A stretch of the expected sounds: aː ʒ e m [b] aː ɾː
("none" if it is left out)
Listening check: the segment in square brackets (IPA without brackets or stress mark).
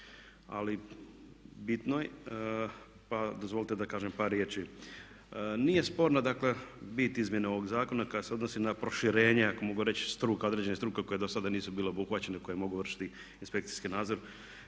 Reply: p